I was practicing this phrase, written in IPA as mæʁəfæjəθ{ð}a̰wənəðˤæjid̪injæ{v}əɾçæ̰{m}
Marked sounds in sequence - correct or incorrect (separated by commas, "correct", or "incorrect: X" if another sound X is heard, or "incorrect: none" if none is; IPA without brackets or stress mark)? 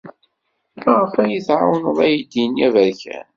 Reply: incorrect: ʕ, correct, incorrect: n